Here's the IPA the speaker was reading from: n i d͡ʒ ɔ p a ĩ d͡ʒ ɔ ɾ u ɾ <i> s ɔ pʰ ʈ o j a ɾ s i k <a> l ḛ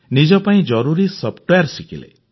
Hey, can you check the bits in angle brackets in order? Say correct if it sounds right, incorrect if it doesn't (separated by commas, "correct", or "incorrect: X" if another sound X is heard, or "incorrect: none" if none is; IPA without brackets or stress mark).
correct, incorrect: i